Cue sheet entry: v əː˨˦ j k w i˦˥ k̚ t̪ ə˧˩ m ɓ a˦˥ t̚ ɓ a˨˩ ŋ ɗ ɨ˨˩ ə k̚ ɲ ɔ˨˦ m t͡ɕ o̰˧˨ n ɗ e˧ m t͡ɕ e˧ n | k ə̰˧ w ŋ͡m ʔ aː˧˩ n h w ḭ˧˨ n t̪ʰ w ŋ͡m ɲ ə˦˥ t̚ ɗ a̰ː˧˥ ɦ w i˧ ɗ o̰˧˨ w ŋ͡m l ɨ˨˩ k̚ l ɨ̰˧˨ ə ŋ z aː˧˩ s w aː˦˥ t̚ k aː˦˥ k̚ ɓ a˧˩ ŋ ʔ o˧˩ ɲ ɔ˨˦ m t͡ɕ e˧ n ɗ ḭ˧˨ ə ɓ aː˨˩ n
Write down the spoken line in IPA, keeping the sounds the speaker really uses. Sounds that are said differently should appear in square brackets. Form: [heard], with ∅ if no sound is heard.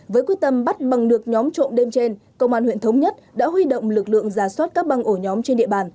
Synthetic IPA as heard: v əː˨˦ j k w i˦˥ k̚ t̪ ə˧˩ m ɓ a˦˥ t̚ ɓ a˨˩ ŋ ɗ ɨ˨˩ ə k̚ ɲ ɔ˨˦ m t͡ɕ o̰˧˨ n ɗ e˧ m t͡ɕ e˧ n | k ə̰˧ w ŋ͡m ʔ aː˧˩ n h w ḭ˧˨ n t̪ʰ w ŋ͡m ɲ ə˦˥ t̚ ɗ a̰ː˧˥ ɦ w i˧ ɗ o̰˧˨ w ŋ͡m l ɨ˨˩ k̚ l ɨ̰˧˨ ə ŋ z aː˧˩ s w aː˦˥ t̚ k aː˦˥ k̚ ɓ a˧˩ ŋ ʔ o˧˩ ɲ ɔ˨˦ m t͡ɕ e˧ n ɗ ḭ˧˨ ə ɓ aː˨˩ n